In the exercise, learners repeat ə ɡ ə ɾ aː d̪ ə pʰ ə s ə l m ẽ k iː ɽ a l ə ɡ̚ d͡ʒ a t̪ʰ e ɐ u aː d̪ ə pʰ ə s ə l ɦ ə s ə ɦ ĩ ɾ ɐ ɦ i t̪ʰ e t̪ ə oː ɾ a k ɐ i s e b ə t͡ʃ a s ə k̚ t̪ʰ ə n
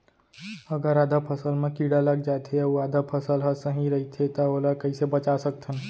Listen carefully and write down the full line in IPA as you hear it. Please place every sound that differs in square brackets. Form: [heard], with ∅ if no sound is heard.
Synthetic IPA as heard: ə ɡ ə ɾ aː d̪ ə pʰ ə s ə l m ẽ k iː ɽ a l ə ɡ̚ d͡ʒ a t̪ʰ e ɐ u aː d̪ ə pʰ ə s ə l ɦ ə s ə ɦ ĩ ɾ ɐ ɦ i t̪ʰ e t̪ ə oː [l] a k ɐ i s e b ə t͡ʃ a s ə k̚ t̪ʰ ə n